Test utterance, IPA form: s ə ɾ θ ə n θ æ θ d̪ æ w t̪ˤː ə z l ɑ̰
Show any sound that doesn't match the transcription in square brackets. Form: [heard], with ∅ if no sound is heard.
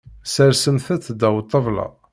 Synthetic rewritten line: s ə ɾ [s] ə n θ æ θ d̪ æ w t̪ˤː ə [v] l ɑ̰